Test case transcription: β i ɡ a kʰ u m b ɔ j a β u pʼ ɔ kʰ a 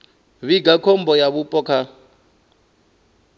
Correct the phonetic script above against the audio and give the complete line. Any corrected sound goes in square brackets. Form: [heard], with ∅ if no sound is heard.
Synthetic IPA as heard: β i ɡ a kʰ [ɔ] m b ɔ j a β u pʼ ɔ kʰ a